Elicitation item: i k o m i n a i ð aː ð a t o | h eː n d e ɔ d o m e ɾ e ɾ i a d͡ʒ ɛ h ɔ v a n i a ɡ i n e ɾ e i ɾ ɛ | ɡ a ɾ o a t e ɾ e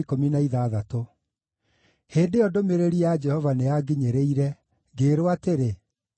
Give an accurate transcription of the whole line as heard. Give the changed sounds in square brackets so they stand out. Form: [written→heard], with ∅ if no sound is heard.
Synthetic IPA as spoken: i k o m i n a i ð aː ð a t o | h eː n d e ɔ d o m e ɾ e ɾ i a d͡ʒ ɛ h ɔ v a n [i→e] a ɡ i [n→ɲ] e ɾ e i ɾ ɛ | ɡ [a→e] ɾ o a t e ɾ e